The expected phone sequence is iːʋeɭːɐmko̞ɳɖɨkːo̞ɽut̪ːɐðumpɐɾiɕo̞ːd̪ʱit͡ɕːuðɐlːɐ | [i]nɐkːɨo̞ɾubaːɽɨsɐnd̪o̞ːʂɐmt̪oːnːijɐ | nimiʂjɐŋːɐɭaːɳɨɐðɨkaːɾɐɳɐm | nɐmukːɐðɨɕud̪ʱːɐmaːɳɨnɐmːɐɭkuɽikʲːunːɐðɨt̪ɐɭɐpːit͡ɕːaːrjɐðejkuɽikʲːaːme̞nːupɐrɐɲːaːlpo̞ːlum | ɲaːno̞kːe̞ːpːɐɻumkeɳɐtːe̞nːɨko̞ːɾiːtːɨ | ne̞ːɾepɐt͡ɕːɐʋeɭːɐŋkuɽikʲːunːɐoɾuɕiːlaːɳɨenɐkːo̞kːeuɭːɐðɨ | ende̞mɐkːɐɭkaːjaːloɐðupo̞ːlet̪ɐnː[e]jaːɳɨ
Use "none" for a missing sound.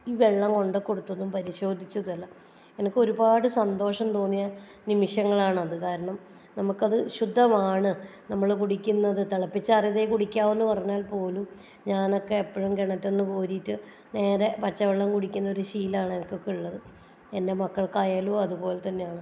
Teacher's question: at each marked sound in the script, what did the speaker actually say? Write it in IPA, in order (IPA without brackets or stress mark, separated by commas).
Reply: e, e